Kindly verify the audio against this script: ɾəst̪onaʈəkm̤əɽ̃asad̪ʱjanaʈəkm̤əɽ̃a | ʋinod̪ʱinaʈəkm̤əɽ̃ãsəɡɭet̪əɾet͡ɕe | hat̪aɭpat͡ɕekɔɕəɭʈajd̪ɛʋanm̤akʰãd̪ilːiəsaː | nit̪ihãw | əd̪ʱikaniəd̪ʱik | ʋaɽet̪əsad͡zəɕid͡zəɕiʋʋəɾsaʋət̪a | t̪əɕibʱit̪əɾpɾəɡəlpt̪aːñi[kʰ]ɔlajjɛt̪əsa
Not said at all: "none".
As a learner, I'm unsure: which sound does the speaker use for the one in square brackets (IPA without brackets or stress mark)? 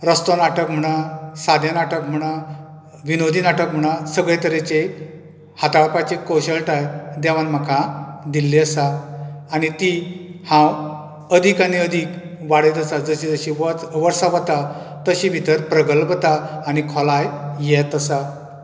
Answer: kʰ